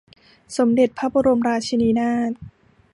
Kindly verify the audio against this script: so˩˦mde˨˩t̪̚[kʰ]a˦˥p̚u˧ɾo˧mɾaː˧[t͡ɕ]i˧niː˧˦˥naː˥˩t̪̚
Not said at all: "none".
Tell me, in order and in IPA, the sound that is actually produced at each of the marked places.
pʰ, t͡ɕʰ

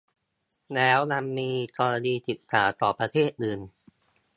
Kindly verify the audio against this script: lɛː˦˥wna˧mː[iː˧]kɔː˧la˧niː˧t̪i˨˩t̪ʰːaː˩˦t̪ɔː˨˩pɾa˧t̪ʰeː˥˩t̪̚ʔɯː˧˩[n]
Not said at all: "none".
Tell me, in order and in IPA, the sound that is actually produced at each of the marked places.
iː˧, n

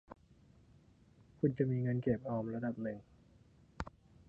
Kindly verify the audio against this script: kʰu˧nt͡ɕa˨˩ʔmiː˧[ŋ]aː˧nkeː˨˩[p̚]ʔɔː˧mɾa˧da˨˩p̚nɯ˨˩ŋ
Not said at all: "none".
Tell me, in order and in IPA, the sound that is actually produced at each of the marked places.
ŋ, p̚

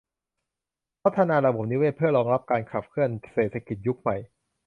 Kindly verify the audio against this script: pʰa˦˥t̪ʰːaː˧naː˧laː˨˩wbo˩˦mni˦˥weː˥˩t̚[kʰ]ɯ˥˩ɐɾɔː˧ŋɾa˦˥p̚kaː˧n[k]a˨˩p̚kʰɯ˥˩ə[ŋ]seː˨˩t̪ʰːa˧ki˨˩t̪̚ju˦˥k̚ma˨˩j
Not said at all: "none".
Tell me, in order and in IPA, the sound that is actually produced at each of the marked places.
pʰ, kʰ, n

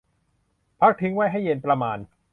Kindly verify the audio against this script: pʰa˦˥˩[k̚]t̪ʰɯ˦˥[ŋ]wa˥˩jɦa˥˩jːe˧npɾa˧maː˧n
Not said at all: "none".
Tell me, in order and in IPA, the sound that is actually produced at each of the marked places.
k̚, ŋ

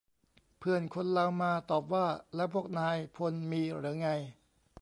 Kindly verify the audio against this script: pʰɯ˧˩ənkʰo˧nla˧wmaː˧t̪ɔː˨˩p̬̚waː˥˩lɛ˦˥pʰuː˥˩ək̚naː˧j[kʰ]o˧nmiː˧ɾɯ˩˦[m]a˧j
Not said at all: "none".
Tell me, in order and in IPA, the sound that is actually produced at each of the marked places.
pʰ, ŋ

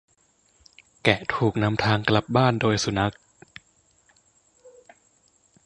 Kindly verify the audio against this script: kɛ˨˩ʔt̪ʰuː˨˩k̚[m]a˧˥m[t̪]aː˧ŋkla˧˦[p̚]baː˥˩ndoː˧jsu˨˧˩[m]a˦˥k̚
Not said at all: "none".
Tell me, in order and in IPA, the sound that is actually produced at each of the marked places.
n, t̪ʰ, p̚, n

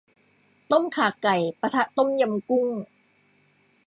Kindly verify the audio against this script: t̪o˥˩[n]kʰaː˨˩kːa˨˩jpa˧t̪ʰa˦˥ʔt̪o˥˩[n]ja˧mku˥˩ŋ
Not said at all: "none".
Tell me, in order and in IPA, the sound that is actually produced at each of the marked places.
m, m

